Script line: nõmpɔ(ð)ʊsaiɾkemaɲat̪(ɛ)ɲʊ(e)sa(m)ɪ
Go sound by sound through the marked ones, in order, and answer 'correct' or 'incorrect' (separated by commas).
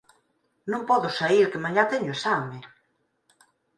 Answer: correct, correct, correct, correct